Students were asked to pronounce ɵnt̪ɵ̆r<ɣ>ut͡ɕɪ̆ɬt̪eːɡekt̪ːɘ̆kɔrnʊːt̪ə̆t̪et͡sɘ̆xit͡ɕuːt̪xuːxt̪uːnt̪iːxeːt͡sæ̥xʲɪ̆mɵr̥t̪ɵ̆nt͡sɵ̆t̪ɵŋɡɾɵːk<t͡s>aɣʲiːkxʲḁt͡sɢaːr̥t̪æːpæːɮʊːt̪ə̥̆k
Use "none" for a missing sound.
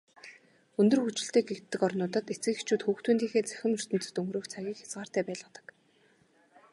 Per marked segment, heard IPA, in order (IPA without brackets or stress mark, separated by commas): x, t͡sʰ